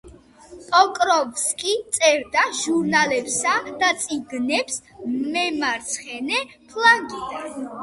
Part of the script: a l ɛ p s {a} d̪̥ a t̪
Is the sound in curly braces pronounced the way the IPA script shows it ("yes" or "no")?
yes